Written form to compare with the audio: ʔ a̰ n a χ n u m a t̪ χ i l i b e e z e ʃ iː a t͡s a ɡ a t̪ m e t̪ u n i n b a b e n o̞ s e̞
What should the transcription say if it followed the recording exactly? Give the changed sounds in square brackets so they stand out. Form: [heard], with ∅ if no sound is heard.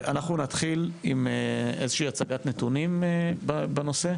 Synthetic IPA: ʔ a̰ n a χ n u [n] a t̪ χ i l i [m] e e z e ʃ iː a t͡s a ɡ a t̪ [n] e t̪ u n i [m] b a b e n o̞ s e̞